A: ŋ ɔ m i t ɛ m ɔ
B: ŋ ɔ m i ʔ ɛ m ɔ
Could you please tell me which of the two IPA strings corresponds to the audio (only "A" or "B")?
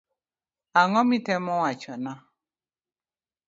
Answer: A